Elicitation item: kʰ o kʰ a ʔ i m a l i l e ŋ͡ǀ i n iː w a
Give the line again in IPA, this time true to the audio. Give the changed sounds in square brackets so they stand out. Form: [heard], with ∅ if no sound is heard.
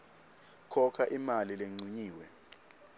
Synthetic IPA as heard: kʰ [ɔ] kʰ a ʔ i m a l i l e ŋ͡ǀ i [ɲ] iː w [ɛ]